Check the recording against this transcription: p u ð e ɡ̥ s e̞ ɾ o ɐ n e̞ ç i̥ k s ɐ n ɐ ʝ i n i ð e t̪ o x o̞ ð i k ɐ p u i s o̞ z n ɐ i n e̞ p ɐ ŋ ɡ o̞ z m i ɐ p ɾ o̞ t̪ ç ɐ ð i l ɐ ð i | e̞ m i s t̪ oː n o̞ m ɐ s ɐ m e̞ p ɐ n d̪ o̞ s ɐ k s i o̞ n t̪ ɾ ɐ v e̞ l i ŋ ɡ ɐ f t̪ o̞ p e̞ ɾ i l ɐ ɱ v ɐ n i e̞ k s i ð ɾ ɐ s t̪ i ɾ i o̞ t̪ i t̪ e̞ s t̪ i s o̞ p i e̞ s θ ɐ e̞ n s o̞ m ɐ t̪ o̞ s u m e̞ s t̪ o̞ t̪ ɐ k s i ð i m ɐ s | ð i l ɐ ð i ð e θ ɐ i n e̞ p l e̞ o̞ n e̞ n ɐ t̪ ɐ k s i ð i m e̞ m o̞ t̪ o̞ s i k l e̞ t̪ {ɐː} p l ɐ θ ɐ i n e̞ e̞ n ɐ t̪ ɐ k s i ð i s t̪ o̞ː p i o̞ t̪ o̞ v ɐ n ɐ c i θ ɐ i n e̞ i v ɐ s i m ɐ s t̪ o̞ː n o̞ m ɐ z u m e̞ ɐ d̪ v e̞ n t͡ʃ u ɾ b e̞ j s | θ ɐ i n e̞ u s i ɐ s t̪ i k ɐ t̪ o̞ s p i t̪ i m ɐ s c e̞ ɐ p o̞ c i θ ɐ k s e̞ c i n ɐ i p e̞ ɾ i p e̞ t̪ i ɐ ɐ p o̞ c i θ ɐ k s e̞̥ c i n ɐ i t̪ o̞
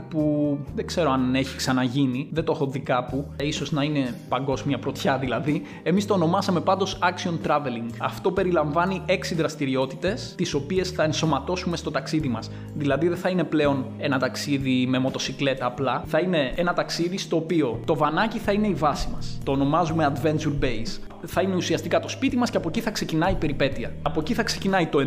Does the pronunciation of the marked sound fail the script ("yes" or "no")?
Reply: no